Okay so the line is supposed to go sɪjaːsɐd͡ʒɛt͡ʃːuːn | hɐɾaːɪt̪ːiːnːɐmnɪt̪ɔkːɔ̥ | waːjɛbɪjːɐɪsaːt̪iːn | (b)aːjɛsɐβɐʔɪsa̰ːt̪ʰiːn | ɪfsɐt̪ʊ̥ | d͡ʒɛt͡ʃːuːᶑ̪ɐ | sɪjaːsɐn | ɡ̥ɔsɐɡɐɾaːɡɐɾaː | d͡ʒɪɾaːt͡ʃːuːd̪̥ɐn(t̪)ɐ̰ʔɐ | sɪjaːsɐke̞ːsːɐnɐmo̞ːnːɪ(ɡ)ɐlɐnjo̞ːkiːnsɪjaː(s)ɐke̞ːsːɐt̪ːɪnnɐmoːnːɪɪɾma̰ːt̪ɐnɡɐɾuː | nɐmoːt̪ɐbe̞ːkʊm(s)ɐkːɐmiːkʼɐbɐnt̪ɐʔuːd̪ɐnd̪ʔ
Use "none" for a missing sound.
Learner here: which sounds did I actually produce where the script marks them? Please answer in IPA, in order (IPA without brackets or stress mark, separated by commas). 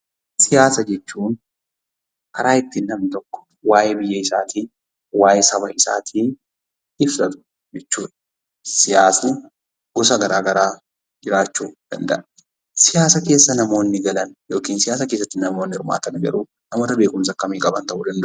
w, d̪, ɡ, s, s